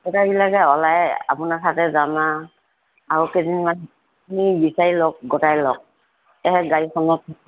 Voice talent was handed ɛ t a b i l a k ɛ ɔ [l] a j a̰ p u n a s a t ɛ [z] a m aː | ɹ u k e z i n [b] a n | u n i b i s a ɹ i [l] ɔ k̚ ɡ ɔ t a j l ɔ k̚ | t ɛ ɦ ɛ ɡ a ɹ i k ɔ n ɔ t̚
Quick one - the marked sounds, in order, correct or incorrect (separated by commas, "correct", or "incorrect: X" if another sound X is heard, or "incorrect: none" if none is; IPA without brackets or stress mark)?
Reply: correct, correct, incorrect: m, correct